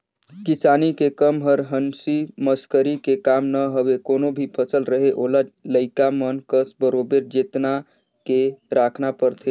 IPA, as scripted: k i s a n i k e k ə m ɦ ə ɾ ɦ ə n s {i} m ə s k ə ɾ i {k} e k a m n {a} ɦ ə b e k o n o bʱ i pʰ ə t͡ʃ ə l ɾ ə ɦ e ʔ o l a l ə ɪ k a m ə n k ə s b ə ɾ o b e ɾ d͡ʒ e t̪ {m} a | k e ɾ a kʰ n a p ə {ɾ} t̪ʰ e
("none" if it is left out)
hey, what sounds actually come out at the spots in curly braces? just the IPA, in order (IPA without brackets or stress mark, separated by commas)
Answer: i, k, ə, n, ɾ